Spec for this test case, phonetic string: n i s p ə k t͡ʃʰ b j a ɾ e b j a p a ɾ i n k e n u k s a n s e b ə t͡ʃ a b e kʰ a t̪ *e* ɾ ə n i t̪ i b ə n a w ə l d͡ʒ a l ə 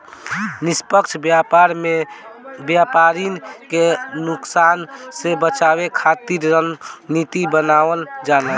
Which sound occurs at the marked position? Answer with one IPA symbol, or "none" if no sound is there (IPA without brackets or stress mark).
i